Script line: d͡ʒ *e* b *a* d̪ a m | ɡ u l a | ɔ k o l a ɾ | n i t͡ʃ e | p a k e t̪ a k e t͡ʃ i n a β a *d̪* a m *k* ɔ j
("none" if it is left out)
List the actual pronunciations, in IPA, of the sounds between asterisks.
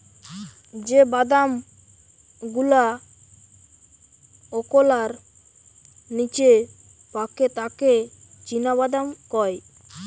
e, a, d̪, k

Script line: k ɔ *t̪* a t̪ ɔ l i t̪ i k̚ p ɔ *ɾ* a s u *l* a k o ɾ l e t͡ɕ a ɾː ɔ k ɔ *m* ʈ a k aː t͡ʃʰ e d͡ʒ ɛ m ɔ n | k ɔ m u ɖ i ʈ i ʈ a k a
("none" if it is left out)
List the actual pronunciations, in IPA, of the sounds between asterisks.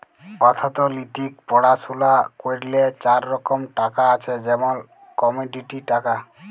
t̪ʰ, ɽ, l, m

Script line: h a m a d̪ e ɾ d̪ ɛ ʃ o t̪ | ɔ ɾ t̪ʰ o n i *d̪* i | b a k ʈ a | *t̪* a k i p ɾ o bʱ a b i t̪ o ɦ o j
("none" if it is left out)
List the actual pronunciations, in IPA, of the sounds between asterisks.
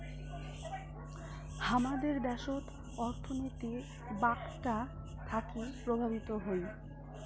t̪, t̪ʰ

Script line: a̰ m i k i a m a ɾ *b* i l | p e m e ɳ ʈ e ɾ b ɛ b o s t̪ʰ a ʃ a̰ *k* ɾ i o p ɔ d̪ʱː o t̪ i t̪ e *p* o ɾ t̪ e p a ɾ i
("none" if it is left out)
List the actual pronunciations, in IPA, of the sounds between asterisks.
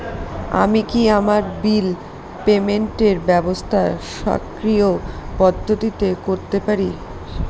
b, k, k

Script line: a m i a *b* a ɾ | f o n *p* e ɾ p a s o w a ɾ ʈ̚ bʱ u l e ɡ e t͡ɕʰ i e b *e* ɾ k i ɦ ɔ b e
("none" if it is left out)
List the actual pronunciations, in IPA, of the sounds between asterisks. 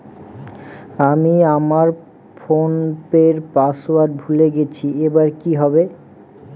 m, p, a

